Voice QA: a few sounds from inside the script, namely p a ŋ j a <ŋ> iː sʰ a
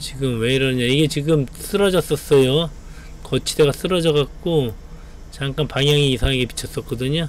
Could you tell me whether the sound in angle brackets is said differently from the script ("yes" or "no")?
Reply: no